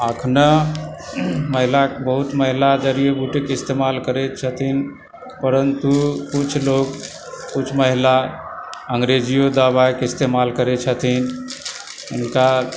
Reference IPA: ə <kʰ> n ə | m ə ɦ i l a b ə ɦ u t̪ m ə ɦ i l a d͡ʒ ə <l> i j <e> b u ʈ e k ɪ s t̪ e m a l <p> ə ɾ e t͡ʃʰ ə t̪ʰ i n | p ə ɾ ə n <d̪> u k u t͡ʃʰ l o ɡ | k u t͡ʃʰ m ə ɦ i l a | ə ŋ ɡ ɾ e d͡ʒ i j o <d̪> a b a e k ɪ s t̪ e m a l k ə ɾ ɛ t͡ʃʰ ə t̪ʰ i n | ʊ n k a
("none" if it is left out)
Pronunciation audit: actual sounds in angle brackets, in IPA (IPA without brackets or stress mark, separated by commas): kʰ, ɾ, e, k, t̪, d̪